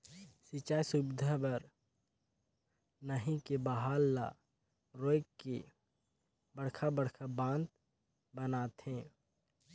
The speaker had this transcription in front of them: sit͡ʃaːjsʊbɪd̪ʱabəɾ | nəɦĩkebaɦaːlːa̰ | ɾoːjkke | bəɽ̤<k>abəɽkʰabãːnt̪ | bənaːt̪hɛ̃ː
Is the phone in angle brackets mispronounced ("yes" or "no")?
yes